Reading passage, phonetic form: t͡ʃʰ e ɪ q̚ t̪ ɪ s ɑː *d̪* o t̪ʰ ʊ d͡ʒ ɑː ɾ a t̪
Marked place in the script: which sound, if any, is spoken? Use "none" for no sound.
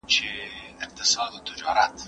d̪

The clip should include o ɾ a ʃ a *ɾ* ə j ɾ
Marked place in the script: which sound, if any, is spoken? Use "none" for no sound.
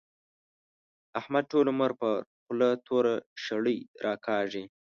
ɽ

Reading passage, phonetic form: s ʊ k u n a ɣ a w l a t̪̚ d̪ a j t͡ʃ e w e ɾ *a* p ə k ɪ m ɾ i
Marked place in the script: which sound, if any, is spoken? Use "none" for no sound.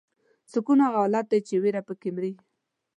a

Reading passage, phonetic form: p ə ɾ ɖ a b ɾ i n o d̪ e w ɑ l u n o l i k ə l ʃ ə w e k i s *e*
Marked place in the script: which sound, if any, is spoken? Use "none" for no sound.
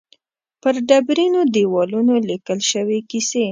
e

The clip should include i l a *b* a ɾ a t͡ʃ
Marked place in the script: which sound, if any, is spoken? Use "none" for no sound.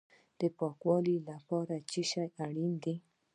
p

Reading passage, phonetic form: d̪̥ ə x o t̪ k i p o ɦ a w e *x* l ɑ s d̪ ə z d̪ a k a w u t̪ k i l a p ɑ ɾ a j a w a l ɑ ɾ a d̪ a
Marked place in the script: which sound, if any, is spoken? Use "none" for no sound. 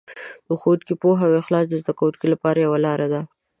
x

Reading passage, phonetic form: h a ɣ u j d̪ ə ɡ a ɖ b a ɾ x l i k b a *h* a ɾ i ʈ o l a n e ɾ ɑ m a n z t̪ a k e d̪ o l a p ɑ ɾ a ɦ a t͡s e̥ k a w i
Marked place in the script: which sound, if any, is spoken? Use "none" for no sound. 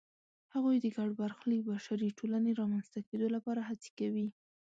ʃ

